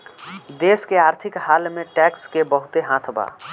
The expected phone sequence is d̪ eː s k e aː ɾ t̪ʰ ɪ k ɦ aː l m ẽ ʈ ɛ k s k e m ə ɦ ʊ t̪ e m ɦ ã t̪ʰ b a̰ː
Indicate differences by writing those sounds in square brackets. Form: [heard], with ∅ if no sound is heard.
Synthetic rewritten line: d̪ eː s k e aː ɾ t̪ʰ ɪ k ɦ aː l m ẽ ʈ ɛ k s k e [b] ə ɦ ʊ t̪ e [∅] ɦ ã t̪ʰ b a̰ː